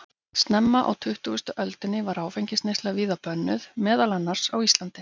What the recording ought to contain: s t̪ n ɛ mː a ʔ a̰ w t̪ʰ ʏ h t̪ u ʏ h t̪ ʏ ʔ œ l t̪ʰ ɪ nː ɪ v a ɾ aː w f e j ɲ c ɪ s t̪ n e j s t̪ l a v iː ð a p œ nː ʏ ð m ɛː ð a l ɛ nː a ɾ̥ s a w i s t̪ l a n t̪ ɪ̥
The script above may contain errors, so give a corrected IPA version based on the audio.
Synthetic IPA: s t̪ n ɛ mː a ʔ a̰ w t̪ʰ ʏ h t̪ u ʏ s t̪ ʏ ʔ œ l t̪ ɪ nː ɪ v a ɾ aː w f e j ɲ c ɪ s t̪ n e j s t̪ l a v iː ð a p œ nː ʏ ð m ɛː ð a l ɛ nː a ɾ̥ s a w i s t̪ l a n t̪ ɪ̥